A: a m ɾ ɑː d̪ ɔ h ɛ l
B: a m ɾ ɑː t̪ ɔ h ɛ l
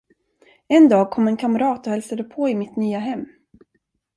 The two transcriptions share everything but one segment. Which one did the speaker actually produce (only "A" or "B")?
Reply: B